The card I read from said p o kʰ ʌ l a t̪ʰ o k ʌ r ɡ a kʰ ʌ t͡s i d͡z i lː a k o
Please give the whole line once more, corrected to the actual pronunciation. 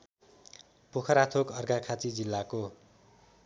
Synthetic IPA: p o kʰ ʌ ɾ a t̪ʰ o k ʌ r ɡ a kʰ a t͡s i d͡z i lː a k o